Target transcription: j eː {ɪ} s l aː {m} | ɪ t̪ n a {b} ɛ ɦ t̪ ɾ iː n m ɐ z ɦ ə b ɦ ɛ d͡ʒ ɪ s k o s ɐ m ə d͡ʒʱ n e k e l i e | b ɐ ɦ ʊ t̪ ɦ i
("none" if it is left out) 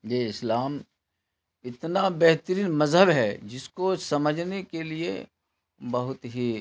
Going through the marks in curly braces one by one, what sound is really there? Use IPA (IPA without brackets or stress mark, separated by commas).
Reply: ɪ, m, b